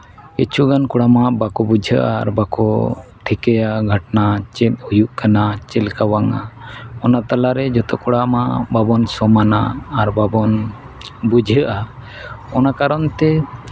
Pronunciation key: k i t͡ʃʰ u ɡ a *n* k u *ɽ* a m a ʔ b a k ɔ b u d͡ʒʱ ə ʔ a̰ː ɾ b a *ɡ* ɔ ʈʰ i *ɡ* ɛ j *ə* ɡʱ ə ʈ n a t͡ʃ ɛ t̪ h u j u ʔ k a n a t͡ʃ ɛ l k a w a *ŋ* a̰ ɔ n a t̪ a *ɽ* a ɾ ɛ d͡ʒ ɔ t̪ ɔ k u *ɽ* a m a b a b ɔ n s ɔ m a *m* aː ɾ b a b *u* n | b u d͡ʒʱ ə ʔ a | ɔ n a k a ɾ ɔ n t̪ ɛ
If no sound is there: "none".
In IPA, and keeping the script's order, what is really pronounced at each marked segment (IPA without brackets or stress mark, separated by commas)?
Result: n, ɽ, k, k, a, ŋ, l, ɽ, n, ɔ